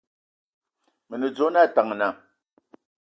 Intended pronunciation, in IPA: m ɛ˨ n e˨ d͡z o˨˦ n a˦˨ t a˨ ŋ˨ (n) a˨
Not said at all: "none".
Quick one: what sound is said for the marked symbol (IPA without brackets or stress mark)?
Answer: n